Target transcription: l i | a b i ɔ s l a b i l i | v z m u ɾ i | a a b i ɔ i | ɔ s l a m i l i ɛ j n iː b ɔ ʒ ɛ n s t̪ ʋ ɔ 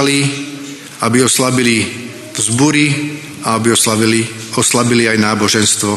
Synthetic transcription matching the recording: l i | a b i ɔ s l a b i l i | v z b u ɾ i | a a b i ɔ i | ɔ s l a b i l i a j n aː b ɔ ʒ ɛ n s t̪ ʋ ɔ